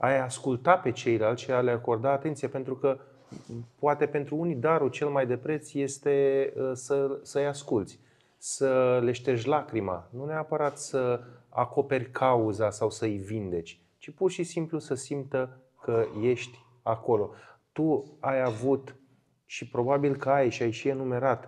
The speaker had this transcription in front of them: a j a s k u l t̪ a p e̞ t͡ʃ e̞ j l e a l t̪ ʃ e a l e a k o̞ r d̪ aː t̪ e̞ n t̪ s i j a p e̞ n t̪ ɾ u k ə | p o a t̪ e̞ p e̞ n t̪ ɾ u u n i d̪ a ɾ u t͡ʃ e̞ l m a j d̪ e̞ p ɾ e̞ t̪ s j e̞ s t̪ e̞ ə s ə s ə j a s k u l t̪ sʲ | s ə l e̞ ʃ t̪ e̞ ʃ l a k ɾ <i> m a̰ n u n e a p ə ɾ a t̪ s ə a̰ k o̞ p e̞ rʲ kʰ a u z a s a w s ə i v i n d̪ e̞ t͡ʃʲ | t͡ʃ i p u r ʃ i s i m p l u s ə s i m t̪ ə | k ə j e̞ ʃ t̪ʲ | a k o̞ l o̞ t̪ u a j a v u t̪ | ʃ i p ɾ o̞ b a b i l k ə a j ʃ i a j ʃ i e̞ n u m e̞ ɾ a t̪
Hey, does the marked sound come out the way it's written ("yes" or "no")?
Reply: yes